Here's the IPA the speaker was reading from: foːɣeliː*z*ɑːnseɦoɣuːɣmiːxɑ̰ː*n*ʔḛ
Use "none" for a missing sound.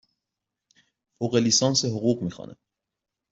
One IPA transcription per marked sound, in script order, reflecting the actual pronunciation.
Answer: s, n

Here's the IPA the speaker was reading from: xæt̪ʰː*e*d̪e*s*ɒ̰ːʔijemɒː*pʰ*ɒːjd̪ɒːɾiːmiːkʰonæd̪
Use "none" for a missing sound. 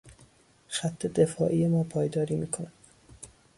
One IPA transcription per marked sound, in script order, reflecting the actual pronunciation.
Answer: e, f, pʰ

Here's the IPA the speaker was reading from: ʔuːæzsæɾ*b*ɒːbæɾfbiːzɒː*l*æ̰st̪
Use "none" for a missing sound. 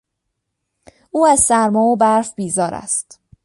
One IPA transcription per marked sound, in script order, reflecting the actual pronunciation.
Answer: m, ɾ

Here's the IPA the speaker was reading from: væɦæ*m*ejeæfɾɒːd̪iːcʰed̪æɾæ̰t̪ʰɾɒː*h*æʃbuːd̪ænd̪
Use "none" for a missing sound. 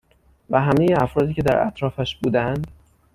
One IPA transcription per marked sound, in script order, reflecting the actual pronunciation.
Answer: m, f

